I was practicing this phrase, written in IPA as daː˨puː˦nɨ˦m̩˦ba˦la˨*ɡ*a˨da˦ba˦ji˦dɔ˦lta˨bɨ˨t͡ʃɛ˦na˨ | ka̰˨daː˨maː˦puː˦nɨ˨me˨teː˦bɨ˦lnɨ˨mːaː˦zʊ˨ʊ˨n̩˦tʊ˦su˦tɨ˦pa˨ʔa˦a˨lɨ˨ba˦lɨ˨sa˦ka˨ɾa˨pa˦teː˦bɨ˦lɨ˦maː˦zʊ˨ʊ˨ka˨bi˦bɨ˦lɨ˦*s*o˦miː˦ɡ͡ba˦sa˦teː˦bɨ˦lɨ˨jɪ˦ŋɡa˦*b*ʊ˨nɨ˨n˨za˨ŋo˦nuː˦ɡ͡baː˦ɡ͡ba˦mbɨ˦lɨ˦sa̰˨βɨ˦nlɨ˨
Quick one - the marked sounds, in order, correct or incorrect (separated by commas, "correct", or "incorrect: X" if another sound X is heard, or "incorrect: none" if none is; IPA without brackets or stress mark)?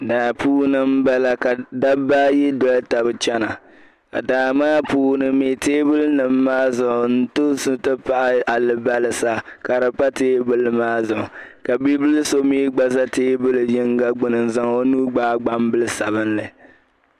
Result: incorrect: k, correct, incorrect: ɡ͡b